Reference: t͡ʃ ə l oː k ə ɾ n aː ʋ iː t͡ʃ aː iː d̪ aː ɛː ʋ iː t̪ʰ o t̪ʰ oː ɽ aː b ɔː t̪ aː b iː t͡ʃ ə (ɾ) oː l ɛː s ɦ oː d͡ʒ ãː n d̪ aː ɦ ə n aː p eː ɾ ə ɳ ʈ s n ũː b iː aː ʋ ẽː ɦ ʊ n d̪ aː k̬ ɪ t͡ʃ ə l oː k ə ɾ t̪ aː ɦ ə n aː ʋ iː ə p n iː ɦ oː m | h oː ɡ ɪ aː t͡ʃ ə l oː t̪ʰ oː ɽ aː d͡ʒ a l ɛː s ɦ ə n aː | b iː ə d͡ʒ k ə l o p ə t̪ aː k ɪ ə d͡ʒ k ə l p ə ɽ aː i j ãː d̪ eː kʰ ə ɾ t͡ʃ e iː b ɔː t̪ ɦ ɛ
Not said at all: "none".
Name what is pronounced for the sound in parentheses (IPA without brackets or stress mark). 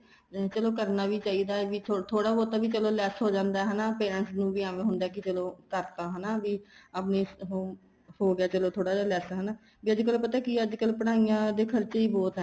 l